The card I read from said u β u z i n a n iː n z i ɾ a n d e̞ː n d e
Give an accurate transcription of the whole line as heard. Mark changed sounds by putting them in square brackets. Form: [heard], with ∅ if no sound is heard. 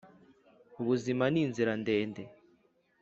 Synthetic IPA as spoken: u β u z i [m] a n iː n z i ɾ a n d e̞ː n d e